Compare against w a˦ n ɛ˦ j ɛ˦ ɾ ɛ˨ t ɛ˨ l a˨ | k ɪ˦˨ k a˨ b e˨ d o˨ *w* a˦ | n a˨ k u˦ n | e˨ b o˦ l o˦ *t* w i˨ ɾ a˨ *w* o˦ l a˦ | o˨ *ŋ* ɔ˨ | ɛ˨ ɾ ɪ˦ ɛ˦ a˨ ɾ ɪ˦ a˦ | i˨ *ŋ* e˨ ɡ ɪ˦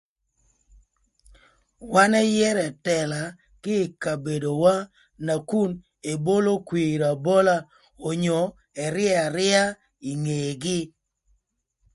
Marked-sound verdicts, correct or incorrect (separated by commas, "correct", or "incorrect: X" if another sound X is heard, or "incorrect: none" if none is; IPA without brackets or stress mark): correct, incorrect: k, incorrect: b, incorrect: ɲ, correct